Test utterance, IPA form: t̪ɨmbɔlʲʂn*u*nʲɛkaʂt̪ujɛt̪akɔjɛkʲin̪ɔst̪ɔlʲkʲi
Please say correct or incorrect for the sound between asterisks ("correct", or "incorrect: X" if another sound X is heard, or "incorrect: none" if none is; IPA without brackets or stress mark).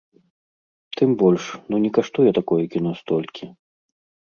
correct